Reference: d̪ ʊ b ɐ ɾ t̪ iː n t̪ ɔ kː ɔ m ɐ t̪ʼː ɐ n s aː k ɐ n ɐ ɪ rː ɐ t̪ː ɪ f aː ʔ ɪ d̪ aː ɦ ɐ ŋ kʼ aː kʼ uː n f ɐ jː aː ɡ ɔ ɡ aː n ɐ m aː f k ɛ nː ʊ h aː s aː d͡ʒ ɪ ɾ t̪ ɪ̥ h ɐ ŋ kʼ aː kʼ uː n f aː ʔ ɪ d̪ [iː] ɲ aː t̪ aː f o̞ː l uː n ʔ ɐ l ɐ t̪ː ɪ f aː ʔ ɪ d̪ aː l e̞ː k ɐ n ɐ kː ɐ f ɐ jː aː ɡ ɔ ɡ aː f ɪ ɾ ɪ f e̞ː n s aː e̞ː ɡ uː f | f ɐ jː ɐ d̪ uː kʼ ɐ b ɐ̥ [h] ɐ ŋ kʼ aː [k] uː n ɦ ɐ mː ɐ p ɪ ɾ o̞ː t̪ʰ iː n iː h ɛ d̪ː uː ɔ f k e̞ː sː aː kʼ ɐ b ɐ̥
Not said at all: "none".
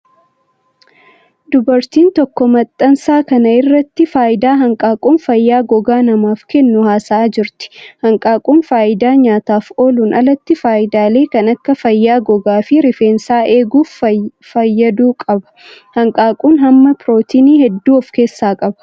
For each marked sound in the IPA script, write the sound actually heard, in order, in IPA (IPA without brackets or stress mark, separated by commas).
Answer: aː, h, kʼ